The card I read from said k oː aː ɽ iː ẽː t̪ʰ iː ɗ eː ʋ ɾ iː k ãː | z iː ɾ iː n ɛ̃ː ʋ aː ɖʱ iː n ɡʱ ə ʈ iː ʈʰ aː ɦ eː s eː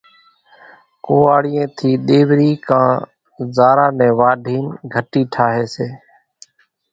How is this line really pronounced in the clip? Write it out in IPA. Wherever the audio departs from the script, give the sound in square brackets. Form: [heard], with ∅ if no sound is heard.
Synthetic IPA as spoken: k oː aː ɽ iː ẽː t̪ʰ iː ɗ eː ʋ ɾ iː k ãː | z [aː] ɾ [aː] n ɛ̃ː ʋ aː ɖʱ iː n ɡʱ ə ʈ iː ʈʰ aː ɦ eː s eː